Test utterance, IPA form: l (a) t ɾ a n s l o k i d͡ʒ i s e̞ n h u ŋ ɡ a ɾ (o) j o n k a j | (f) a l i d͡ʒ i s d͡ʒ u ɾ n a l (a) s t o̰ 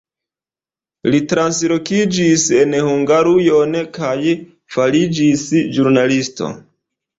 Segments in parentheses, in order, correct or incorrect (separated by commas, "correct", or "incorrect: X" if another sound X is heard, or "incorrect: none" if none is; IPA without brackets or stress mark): incorrect: i, incorrect: u, correct, incorrect: i